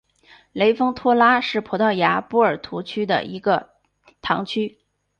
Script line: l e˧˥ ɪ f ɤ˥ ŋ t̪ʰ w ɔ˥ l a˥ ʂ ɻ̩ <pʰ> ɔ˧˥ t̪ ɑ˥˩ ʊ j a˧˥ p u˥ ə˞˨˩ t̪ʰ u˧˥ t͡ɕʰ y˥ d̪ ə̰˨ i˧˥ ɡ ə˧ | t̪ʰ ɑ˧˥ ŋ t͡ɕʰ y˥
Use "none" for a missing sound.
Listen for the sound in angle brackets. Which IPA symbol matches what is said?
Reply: pʰ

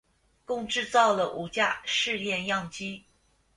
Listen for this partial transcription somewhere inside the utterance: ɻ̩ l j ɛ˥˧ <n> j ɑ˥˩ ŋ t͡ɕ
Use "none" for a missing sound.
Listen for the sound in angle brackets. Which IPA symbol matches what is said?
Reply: n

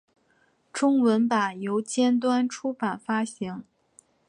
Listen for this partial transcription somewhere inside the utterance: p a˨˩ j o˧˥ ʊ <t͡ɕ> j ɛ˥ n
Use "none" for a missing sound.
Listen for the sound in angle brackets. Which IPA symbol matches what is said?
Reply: t͡ɕ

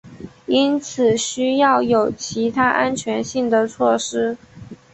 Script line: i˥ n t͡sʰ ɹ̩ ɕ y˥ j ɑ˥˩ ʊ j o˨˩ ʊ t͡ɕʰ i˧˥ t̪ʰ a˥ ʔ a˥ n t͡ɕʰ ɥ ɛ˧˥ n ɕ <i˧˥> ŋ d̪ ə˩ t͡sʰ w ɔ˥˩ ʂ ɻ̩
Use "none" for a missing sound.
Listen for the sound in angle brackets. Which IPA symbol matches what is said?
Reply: i˥˩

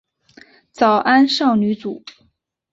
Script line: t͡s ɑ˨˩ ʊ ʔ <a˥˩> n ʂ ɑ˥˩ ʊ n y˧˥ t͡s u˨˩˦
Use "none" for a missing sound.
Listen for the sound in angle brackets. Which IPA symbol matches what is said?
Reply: a˥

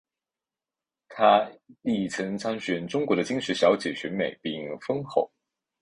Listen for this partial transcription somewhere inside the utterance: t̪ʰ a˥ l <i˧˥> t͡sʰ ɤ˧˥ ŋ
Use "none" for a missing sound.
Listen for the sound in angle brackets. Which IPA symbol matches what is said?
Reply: i˥˩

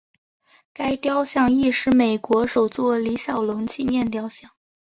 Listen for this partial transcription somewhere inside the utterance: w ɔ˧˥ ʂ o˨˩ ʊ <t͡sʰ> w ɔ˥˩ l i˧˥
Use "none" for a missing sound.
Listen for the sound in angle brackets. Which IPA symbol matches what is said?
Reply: t͡s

